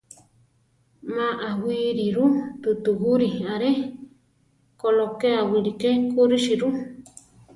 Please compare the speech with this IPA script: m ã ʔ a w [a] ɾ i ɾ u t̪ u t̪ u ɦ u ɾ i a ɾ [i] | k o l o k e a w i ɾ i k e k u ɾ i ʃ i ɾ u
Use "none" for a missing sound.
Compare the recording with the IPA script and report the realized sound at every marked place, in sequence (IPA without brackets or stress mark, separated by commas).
i, e